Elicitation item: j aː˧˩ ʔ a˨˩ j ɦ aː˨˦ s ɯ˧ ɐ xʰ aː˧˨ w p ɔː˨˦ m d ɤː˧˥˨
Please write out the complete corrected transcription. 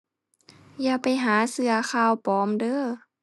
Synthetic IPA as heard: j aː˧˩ p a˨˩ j ɦ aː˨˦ s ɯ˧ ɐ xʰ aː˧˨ w p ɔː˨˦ m d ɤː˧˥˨